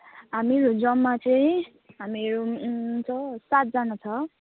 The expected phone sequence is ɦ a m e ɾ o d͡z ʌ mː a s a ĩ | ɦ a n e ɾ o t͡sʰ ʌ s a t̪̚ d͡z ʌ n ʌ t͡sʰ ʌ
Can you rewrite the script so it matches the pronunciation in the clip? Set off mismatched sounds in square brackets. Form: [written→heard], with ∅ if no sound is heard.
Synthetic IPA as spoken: ɦ a m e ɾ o d͡z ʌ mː a [s→t͡s] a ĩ | ɦ a [n→m] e ɾ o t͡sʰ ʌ s a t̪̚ d͡z [ʌ→a] n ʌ t͡sʰ ʌ